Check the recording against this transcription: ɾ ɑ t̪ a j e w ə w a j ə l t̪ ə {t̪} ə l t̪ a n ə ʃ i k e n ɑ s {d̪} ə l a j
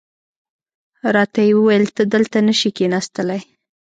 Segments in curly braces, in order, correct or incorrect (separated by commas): incorrect, incorrect